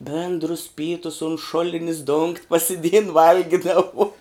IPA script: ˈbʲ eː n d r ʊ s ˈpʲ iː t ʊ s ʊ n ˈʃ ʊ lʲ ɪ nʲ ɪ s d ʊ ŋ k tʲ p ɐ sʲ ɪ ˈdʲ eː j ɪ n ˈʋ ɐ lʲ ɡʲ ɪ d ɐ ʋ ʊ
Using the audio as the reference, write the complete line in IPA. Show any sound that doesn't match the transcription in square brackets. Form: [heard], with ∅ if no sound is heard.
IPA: ˈbʲ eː n d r ʊ s ˈpʲ iː t ʊ s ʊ n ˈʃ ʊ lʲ ɪ nʲ ɪ s d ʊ ŋ k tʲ p ɐ sʲ ɪ ˈdʲ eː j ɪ n ˈʋ ɐ lʲ ɡʲ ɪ d ɐ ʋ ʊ